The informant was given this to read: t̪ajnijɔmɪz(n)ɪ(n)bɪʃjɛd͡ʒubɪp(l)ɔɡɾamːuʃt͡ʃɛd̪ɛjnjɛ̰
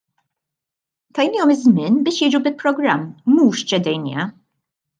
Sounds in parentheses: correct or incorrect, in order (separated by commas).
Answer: incorrect, correct, incorrect